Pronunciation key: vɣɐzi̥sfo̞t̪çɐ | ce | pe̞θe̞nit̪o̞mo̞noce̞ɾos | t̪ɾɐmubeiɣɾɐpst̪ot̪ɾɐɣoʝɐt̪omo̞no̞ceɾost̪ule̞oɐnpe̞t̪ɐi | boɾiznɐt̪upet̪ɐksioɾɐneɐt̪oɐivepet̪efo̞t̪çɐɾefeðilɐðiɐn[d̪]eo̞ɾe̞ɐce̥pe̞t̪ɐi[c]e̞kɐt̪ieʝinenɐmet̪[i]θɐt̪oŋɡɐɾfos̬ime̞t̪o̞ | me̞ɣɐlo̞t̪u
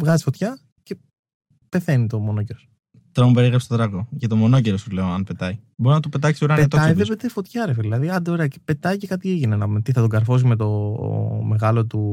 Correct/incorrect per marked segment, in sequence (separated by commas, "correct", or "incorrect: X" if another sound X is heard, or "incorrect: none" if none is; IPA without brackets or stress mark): correct, correct, correct